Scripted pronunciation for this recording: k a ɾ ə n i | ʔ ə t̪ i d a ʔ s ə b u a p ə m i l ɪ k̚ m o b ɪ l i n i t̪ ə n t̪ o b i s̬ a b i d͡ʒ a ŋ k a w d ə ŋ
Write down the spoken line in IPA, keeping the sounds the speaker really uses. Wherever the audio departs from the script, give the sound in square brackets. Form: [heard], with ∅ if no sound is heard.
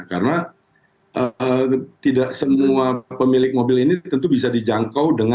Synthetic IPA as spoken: k a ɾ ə n [a] | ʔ ə t̪ i d a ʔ s ə [m] u a p ə m i l ɪ k̚ m o b ɪ l i n i t̪ ə n t̪ [u] b i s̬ a [d] i d͡ʒ a ŋ k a w d ə ŋ